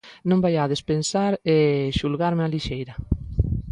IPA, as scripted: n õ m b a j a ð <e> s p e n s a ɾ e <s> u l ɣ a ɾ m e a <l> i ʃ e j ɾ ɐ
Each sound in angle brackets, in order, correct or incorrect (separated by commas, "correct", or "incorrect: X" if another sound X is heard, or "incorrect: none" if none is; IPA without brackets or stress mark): correct, incorrect: ʃ, correct